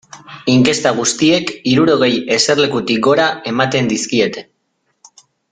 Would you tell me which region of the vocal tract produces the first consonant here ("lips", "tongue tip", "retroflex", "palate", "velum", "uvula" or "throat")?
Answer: velum